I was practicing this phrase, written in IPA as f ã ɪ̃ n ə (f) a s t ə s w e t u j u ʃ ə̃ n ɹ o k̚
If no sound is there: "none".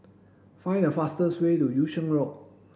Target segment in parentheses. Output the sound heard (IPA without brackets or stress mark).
f